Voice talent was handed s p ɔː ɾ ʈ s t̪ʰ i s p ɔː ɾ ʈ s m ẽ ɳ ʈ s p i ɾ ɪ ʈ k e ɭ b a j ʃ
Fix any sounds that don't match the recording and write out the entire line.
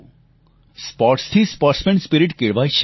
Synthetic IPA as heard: s p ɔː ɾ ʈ s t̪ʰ i s p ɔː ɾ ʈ s m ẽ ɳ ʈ s p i ɾ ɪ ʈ k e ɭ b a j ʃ